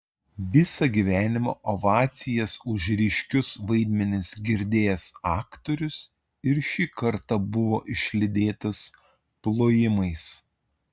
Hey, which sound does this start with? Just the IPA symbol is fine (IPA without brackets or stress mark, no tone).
ʋʲ